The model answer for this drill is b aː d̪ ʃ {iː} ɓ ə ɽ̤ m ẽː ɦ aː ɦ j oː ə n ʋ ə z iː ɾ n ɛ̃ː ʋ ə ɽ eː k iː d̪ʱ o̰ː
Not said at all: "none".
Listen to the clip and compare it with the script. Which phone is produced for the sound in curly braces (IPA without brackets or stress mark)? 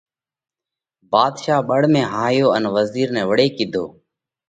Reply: aː